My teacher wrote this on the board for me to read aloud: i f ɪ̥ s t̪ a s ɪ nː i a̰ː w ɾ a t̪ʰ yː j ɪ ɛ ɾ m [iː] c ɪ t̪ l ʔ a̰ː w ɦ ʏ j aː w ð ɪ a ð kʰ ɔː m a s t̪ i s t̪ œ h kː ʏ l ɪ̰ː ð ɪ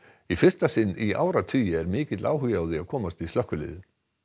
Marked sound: incorrect: ɪː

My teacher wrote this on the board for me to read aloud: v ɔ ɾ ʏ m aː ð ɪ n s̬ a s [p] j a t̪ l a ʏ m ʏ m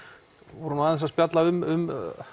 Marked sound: correct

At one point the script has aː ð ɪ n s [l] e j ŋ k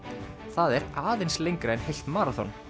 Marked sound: correct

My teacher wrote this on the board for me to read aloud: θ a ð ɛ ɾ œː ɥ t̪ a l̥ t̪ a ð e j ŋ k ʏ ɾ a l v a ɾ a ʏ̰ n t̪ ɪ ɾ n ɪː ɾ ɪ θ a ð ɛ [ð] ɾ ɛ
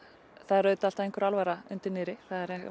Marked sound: incorrect: none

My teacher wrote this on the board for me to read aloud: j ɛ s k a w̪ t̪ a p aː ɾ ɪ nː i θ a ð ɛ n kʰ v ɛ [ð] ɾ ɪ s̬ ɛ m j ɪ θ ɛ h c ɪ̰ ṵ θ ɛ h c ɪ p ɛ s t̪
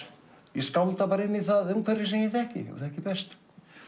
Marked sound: incorrect: none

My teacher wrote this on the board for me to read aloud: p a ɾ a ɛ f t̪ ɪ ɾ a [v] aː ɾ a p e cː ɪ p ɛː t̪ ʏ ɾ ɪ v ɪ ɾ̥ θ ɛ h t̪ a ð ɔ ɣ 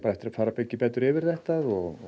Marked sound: incorrect: f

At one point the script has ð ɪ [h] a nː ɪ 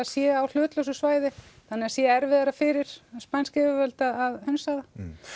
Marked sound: incorrect: θ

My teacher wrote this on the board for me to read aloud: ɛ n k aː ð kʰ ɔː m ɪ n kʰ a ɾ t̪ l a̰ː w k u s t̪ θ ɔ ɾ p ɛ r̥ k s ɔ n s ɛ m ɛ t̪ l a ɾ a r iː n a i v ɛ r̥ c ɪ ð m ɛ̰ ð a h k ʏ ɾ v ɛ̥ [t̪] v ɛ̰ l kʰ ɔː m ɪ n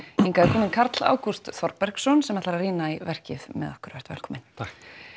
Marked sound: correct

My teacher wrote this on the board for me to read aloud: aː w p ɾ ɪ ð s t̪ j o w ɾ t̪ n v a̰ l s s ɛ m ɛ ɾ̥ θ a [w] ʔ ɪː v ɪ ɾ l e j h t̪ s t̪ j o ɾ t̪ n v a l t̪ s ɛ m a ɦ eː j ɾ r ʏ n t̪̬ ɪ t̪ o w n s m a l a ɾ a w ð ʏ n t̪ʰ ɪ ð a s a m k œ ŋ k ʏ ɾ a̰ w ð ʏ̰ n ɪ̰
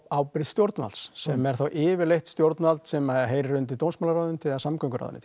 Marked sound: correct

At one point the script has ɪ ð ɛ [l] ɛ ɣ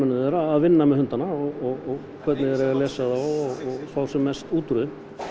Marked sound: incorrect: ɾ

